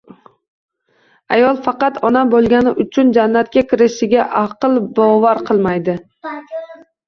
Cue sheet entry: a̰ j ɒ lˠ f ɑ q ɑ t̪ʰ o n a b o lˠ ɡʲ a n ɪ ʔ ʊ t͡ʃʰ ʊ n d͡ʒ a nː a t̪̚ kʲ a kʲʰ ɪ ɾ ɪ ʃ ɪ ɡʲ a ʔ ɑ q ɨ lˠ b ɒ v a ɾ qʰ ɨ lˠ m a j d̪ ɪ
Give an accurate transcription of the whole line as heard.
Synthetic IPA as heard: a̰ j ɒ lˠ f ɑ q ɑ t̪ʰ ɒ n a b o lˠ ɡʲ a n ɪ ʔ ʊ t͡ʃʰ ʊ n d͡ʒ a nː a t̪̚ kʲ a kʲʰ ɪ ɾ ɪ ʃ ɪ ɡʲ a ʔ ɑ q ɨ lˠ b ɒ v a ɾ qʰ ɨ lˠ m a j d̪ ɪ